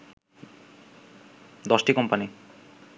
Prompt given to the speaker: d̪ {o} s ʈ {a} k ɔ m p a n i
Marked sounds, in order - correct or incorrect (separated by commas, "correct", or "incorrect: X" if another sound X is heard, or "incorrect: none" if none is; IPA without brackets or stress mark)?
incorrect: ɔ, incorrect: i